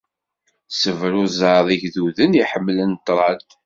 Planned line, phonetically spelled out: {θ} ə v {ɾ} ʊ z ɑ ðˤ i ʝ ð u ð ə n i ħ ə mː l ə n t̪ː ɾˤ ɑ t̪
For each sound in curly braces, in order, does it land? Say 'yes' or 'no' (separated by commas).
no, yes